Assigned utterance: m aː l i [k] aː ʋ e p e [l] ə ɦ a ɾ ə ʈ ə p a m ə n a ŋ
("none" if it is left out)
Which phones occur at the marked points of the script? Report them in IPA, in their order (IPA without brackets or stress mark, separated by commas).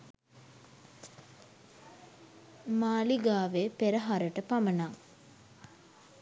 ɡ, ɾ